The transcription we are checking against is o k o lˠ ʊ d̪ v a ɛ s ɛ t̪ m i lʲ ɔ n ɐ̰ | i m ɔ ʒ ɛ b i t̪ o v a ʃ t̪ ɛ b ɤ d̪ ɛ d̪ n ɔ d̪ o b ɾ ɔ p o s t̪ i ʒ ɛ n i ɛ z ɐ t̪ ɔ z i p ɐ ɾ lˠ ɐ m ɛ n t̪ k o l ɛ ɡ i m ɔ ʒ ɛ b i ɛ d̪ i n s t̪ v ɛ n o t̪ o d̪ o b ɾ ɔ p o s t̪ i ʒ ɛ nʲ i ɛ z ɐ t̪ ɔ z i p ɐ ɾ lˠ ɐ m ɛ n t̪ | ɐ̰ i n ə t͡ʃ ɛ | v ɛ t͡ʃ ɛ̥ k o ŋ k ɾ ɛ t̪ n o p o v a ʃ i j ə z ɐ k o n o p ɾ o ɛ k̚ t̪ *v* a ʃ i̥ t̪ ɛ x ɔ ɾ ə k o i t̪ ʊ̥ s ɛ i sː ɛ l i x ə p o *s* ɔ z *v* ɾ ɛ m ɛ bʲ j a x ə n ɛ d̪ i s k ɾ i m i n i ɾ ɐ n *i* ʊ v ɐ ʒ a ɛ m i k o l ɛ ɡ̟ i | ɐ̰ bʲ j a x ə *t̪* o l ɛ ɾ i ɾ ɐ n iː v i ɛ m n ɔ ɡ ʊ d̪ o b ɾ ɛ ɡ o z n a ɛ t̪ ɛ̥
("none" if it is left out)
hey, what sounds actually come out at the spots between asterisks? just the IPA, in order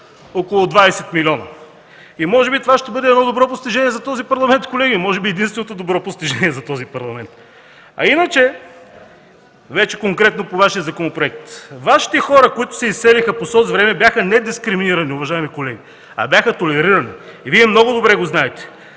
v, s, v, i, t̪

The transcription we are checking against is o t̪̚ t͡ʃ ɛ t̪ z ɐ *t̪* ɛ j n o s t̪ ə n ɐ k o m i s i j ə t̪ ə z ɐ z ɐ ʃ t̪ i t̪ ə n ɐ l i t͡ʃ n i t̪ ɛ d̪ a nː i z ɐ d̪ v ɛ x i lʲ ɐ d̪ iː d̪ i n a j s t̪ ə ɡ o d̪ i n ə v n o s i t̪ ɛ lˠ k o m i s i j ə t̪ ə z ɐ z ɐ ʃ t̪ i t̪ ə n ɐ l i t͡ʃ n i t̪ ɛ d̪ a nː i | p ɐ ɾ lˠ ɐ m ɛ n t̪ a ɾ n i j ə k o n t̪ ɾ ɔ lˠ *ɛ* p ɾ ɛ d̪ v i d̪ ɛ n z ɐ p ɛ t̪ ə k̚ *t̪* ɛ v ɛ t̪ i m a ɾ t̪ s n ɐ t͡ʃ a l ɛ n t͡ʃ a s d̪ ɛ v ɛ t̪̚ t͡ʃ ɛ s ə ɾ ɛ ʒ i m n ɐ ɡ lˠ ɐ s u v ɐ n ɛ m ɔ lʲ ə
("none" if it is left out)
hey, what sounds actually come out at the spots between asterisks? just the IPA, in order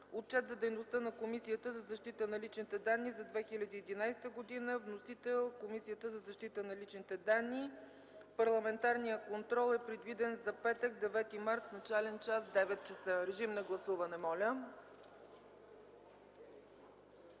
d̪, ɛ, d̪

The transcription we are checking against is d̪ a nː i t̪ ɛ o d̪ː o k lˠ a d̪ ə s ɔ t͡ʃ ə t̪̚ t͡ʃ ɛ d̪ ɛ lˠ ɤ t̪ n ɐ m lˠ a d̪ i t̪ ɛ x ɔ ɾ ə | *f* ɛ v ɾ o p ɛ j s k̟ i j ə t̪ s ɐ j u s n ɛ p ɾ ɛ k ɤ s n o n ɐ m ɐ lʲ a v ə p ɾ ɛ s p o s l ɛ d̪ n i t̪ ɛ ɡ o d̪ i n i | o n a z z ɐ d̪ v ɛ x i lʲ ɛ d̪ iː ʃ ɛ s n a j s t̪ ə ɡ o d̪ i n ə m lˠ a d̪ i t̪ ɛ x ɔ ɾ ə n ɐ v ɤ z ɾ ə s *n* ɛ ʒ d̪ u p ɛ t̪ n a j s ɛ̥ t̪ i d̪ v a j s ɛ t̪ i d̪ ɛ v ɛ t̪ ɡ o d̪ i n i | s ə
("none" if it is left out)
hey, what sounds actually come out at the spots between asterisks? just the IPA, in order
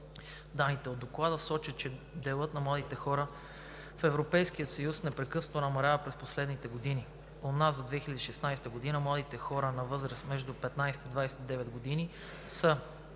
f, m

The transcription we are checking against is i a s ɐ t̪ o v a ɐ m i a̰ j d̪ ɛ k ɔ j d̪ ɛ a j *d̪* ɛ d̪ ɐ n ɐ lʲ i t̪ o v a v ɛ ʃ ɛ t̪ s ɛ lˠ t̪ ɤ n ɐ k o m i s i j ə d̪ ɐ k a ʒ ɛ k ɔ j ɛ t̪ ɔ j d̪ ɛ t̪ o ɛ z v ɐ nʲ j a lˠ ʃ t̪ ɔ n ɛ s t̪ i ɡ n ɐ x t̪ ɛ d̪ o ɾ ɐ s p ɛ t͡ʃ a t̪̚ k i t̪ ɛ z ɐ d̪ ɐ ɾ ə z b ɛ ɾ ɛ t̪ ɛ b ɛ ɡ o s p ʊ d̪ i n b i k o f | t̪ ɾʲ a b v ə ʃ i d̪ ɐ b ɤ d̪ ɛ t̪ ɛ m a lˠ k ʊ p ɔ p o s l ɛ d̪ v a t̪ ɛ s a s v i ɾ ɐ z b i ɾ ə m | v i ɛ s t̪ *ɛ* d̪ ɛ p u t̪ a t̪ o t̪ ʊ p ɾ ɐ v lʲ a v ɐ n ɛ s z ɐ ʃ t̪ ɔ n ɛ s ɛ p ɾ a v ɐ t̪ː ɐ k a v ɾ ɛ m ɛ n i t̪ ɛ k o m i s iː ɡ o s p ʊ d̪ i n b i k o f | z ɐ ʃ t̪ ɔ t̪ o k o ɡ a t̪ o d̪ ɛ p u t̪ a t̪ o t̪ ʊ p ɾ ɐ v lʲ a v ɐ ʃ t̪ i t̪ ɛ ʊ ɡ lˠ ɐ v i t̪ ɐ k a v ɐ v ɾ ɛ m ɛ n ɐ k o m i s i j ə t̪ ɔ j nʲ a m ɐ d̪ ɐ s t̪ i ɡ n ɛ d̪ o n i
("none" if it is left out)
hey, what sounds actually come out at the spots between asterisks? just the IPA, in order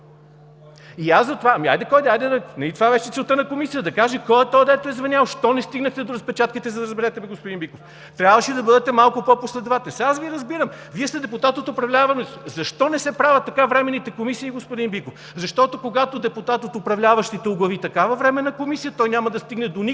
d̪, ɛ

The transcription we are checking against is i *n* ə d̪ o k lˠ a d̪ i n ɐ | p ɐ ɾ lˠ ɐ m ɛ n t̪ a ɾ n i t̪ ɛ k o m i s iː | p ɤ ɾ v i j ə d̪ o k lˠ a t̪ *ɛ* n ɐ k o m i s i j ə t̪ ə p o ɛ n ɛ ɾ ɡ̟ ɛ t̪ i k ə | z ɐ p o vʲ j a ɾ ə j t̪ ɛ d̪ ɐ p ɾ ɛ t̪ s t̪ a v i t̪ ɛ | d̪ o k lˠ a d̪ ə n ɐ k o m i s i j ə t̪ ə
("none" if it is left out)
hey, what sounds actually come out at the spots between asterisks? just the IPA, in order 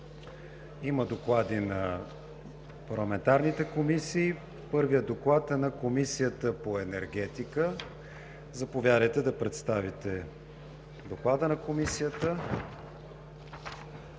m, ɛ

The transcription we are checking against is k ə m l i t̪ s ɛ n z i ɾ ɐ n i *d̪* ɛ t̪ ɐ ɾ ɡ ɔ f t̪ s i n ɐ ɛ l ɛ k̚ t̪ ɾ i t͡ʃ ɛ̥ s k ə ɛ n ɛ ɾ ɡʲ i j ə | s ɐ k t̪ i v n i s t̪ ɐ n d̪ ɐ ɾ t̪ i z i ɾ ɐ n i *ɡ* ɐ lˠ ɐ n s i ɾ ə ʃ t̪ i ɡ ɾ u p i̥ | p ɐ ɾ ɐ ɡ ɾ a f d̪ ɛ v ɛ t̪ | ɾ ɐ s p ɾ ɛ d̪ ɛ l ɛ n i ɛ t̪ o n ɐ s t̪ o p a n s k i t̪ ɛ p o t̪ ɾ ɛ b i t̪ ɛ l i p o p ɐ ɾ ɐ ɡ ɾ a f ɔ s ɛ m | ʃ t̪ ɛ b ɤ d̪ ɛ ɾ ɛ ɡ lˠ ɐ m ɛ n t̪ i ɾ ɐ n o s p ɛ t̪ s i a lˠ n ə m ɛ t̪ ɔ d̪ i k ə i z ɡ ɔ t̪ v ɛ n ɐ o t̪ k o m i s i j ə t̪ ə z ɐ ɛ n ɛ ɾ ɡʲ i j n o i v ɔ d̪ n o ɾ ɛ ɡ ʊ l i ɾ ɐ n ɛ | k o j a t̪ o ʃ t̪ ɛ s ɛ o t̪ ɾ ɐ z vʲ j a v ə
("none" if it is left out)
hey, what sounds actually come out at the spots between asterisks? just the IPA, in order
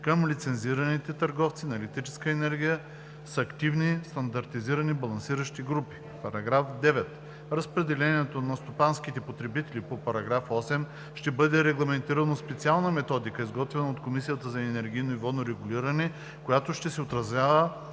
t̪, b

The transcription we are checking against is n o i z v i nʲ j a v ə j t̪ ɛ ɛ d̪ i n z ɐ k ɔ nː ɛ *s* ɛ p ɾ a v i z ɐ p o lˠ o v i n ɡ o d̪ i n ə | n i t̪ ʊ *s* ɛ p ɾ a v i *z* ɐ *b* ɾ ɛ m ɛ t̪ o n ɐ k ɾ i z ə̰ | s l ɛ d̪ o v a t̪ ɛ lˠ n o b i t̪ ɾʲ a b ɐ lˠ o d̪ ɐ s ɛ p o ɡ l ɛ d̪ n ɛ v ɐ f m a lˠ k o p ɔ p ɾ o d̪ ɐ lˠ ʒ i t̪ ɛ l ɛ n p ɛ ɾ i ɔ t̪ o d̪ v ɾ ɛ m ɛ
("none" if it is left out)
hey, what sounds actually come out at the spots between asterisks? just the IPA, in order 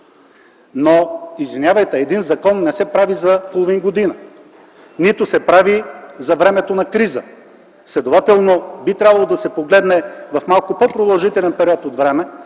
s, s, z, v

